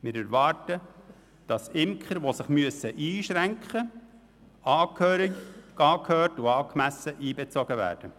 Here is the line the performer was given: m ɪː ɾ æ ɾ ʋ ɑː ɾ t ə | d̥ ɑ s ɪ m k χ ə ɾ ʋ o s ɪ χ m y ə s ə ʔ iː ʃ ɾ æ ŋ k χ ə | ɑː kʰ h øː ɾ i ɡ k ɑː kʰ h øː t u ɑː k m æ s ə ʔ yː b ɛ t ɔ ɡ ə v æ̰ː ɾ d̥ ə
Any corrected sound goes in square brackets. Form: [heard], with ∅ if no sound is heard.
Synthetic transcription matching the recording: m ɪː ɾ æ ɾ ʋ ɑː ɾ t ə | d̥ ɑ s ɪ m k χ ə ɾ ʋ o s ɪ χ m y ə s ə ʔ iː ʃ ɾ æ ŋ k χ ə | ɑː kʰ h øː ɾ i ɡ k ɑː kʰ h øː t u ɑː k m æ s ə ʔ [iː] b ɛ [t͡s] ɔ ɡ ə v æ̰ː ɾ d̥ ə